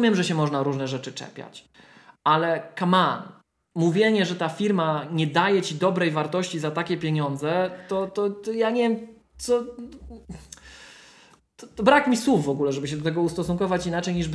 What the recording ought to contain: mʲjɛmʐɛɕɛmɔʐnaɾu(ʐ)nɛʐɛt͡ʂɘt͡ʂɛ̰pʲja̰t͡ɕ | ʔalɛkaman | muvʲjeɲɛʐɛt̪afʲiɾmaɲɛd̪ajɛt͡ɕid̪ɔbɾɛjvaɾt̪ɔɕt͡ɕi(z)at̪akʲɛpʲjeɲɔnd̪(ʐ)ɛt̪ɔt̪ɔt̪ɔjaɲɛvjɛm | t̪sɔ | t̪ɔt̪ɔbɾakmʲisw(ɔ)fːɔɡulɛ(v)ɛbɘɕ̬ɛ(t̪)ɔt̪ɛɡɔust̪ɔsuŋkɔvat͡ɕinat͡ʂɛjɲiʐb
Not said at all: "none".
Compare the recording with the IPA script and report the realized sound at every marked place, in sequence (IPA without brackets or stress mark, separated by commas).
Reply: ʐ, z, z, u, ʐ, d̪